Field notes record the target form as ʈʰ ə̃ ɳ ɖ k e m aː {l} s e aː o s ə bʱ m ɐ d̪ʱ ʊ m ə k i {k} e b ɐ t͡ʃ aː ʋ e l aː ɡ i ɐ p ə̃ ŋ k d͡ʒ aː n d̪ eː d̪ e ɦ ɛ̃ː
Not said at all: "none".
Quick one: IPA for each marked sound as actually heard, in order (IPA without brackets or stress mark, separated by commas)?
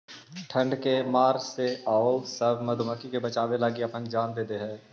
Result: ɾ, k